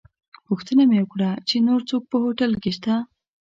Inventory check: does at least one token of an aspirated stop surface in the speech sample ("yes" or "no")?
no